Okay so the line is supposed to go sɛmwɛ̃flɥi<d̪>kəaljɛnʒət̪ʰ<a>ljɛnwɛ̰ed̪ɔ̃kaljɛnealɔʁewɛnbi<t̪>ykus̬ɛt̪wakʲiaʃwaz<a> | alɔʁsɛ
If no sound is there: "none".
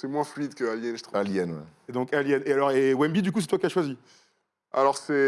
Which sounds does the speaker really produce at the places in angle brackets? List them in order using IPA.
d̪, a, d̪, i

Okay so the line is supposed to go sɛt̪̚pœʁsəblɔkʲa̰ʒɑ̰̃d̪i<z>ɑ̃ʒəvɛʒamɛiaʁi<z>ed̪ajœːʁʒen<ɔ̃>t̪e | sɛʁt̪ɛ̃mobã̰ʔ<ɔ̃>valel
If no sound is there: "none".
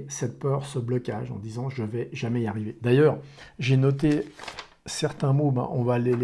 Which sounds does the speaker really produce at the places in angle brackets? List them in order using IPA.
z, v, ɔ, ɔ̃

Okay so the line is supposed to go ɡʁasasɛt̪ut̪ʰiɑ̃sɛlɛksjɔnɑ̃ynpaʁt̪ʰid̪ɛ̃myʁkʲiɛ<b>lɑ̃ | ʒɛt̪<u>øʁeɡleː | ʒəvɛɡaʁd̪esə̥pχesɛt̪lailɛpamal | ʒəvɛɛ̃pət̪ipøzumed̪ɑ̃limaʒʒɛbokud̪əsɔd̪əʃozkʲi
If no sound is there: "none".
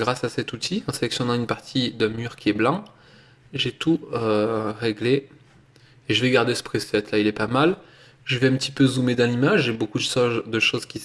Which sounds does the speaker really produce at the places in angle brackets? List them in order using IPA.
b, u

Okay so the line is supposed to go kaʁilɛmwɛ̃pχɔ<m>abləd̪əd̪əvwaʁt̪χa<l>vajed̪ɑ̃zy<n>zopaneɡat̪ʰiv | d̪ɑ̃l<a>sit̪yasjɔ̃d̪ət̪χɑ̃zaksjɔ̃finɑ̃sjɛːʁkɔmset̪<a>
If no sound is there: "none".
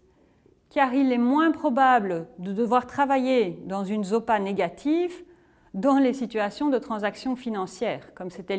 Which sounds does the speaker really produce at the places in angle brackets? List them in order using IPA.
b, none, n, e, ɛ

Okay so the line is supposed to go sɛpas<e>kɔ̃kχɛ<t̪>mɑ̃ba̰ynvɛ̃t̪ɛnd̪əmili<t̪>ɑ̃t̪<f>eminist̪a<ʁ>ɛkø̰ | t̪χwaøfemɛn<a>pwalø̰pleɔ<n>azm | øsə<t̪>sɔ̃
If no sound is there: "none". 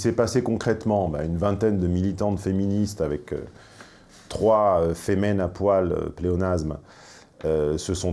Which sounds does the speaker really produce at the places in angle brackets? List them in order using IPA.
e, t̪, t̪, f, v, a, n, none

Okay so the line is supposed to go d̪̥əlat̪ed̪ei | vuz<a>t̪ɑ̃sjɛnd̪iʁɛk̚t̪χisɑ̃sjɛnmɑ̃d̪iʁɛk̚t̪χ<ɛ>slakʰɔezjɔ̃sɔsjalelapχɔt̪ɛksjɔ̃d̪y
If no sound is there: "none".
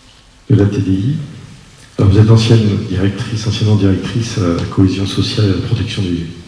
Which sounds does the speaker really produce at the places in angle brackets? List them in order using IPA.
ɛ, i

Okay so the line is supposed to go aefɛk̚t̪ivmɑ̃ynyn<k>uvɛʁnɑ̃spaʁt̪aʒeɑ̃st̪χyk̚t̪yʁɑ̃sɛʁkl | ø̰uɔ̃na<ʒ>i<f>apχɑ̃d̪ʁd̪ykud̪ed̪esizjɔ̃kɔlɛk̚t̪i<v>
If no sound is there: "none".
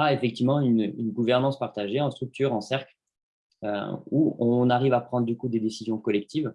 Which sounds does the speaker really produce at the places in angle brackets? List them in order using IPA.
ɡ, ʁ, v, v

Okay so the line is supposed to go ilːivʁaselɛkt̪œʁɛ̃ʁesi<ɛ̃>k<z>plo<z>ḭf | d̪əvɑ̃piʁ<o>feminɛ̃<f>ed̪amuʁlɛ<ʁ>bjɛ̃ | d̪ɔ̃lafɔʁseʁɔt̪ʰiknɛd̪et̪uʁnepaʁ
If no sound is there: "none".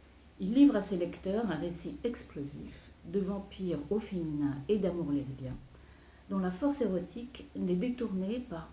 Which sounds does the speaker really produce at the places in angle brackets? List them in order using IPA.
ɛ, s, z, o, none, z

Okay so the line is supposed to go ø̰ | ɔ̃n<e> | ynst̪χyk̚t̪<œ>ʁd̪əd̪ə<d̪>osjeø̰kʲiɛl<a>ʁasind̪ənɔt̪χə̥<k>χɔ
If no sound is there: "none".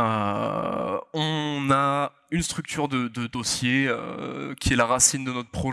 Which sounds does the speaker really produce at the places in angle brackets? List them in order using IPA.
a, y, d̪, a, p

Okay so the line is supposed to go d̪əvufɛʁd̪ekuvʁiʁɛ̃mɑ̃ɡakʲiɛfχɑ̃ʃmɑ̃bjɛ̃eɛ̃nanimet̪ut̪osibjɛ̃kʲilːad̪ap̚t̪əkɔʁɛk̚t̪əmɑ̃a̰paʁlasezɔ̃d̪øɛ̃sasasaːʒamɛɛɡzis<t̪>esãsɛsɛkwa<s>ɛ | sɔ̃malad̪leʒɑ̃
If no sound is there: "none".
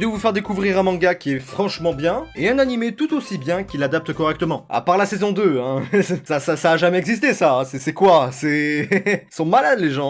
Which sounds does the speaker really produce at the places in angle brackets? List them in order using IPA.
t̪, s

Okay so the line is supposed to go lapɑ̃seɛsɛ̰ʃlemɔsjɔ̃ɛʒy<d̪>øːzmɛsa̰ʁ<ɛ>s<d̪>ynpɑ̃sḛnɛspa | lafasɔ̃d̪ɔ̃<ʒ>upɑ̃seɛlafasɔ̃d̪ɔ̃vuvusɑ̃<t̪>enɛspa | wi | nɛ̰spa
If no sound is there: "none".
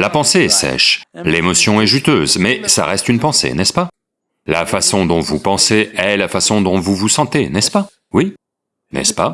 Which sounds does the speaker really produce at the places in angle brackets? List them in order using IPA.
t̪, ɛ, t̪, v, t̪

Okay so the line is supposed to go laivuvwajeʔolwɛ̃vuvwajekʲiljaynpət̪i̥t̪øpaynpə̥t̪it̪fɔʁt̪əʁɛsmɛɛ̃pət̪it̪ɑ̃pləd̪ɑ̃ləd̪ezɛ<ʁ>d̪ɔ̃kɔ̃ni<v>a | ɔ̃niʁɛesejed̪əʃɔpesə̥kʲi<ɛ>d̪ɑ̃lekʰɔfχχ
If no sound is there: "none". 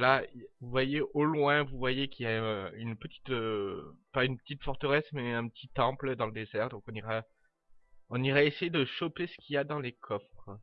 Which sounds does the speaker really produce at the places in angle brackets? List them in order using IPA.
ʁ, ʁ, a

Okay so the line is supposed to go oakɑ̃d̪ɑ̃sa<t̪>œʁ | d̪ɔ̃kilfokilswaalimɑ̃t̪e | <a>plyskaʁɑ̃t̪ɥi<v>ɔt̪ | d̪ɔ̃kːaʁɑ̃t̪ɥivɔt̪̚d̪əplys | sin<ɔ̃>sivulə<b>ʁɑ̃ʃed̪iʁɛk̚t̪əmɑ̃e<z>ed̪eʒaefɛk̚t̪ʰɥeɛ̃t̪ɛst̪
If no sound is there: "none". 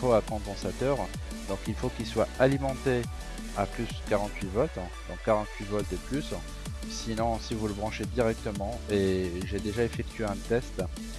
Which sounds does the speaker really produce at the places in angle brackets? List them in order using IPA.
t̪, a, v, ɔ̃, b, ʒ

